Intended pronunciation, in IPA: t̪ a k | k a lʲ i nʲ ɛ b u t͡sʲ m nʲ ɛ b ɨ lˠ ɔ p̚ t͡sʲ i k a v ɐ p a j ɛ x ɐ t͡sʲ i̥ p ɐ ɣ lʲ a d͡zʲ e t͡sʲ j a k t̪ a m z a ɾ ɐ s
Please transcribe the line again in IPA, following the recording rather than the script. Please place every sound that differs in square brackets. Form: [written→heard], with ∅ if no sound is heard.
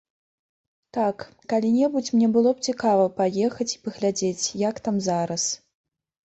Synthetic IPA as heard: t̪ a k | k a lʲ i nʲ ɛ b u t͡sʲ m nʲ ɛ b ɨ lˠ ɔ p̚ t͡sʲ i k a v ɐ p a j ɛ x ɐ t͡sʲ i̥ p ɐ ɣ lʲ a d͡zʲ e t͡sʲ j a k t̪ a m z a ɾ ɐ s